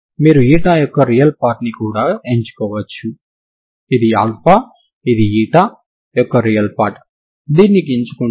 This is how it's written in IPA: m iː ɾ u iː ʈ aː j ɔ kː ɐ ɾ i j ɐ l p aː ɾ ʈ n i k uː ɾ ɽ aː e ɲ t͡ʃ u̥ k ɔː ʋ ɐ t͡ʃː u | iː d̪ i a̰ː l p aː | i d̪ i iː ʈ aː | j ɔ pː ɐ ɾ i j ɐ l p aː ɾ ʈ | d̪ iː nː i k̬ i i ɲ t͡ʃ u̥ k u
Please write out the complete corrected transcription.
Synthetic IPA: m iː ɾ u iː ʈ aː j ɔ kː ɐ ɾ i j ɐ l p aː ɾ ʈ n i k uː ɽ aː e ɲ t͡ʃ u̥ k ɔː ʋ ɐ t͡ʃː u | i d̪ i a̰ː l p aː | i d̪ i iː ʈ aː | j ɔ kː ɐ ɾ i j ɐ l p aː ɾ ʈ | d̪ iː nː i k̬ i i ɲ t͡ʃ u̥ k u